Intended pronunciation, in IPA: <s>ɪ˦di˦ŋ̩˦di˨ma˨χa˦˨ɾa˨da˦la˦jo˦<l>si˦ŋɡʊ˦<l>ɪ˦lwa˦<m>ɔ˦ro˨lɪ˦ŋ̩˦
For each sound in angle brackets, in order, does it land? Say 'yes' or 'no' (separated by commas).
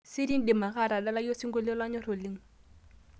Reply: yes, no, yes, no